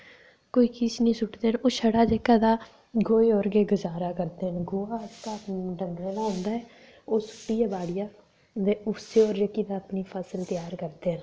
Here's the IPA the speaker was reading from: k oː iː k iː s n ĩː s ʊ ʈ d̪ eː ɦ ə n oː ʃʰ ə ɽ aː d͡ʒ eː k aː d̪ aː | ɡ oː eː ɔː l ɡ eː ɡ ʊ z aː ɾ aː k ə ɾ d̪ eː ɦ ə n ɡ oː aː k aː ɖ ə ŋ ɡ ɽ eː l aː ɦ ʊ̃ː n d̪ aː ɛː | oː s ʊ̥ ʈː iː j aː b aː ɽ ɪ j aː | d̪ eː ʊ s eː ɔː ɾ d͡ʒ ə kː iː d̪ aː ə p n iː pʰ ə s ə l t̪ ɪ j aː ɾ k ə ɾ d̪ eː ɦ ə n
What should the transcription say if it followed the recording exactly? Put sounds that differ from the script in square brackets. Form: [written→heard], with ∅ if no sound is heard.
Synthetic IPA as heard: k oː iː k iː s n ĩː s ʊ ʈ d̪ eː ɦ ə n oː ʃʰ ə ɽ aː d͡ʒ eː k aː d̪ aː | ɡ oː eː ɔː [l→ɾ] ɡ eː ɡ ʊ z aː ɾ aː k ə ɾ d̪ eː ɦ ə n ɡ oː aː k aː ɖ ə ŋ ɡ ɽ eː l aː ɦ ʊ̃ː n d̪ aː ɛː | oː s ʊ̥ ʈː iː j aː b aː ɽ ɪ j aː | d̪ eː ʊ s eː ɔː ɾ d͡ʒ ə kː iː d̪ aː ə p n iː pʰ ə s ə l t̪ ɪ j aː ɾ k ə ɾ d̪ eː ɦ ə n

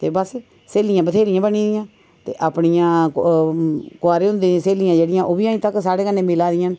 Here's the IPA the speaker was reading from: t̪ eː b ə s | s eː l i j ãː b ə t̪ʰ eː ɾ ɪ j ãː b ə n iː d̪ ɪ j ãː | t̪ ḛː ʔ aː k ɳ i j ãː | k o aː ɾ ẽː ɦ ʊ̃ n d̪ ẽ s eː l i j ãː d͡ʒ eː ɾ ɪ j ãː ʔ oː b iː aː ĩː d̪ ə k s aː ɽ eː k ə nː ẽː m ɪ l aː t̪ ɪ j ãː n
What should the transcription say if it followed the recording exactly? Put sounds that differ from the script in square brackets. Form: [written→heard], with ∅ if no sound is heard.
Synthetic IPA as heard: t̪ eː b ə s | s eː l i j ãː b ə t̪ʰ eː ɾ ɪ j ãː b ə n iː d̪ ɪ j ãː | t̪ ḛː ʔ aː [k→p] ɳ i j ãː | k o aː ɾ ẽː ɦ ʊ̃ n d̪ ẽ s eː l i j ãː d͡ʒ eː [ɾ→ɽ] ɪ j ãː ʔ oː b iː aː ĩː [d̪→t̪] ə k s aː ɽ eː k ə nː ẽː m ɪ l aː [t̪→d̪] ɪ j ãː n

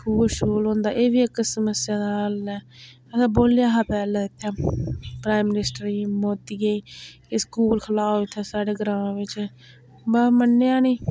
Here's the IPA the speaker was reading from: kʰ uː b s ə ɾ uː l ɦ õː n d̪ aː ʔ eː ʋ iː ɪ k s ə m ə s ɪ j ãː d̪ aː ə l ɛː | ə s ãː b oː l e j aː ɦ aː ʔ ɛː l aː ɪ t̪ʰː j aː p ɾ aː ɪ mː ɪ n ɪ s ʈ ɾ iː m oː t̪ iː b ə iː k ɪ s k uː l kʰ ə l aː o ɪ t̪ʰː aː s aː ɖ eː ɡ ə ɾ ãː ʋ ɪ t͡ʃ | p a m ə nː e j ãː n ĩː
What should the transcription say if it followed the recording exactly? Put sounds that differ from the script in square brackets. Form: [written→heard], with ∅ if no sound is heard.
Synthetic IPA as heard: kʰ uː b [s→ʃ] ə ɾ uː l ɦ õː n d̪ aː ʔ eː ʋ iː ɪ k s ə m ə s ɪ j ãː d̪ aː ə l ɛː | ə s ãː b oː l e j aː ɦ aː [ʔ→p] ɛː l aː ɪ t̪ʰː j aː p ɾ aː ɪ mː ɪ n ɪ s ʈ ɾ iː m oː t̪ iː [b→ɡ] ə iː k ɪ s k uː l kʰ ə l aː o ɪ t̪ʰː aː s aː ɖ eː ɡ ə ɾ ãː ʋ ɪ t͡ʃ | [p→b] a m ə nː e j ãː n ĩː

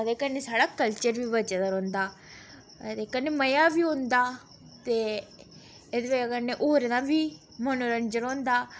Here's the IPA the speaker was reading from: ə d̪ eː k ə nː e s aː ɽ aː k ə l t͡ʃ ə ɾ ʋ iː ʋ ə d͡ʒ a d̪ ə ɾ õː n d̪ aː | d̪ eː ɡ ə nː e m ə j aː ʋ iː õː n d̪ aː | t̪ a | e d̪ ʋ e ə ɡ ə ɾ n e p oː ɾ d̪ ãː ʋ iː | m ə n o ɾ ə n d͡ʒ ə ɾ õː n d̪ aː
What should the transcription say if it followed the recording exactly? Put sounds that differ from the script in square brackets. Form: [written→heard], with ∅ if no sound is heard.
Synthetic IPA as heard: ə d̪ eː k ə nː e s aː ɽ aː k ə l t͡ʃ ə ɾ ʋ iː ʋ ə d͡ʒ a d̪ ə ɾ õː n d̪ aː | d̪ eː [ɡ→k] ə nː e m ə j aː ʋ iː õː n d̪ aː | t̪ [a→e] | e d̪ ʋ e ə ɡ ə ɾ n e [p→ʔ] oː ɾ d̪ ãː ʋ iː | m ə n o ɾ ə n d͡ʒ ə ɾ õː n d̪ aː

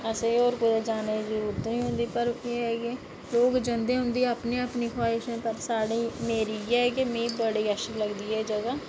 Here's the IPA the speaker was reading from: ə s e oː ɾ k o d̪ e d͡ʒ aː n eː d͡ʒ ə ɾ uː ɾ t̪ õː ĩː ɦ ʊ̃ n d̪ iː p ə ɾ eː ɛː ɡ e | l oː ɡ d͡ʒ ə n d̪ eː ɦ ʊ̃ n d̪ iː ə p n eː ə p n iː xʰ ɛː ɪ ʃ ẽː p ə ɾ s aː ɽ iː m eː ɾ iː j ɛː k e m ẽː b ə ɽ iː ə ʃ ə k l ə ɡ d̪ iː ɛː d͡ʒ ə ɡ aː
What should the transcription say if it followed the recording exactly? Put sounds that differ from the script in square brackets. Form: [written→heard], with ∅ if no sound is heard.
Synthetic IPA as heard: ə s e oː ɾ k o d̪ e d͡ʒ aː n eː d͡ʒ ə ɾ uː ɾ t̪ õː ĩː ɦ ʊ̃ n d̪ iː p ə ɾ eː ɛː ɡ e | l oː ɡ d͡ʒ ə n d̪ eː ɦ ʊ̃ n d̪ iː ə p n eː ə p n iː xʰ [ɛː→aː] ɪ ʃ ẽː p ə ɾ s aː ɽ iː m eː ɾ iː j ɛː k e m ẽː b ə ɽ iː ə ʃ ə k l ə ɡ d̪ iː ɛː d͡ʒ ə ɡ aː

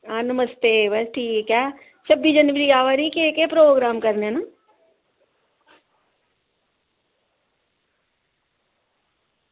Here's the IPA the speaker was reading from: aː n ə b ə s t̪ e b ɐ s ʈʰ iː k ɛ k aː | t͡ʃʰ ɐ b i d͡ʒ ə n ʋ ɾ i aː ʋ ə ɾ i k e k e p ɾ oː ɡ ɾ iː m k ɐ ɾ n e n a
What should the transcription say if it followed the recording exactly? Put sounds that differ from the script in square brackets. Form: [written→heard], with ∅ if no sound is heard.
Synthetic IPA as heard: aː n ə [b→m] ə s t̪ e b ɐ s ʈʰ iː k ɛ k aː | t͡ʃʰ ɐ b i d͡ʒ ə n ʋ ɾ i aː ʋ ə ɾ i k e k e p ɾ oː ɡ ɾ [iː→aː] m k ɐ ɾ n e n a

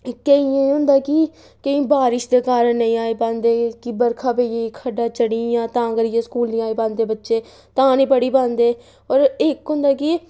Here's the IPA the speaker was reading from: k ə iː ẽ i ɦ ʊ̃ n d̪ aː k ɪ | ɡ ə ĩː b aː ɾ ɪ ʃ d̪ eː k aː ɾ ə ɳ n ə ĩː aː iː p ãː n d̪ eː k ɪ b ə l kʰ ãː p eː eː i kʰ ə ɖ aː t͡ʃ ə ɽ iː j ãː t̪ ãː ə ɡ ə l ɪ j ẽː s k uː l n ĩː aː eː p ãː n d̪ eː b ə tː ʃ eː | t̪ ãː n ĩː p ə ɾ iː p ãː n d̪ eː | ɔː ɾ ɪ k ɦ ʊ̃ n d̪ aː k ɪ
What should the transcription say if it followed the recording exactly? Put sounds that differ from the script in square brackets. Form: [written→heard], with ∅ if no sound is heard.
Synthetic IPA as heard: k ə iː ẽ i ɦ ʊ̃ n d̪ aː k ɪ | [ɡ→k] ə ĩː b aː ɾ ɪ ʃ d̪ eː k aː ɾ ə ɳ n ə ĩː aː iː p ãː n d̪ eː k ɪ b ə [l→ɾ] kʰ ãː p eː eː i kʰ ə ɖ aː t͡ʃ ə ɽ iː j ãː t̪ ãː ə ɡ ə [l→ɾ] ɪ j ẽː s k uː l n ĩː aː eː p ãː n d̪ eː b ə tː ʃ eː | t̪ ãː n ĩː p ə [ɾ→ɽ] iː p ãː n d̪ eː | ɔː ɾ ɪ k ɦ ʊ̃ n d̪ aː k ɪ

